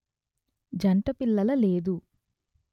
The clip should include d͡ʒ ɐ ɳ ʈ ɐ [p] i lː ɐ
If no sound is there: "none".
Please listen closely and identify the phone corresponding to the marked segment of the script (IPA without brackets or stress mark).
p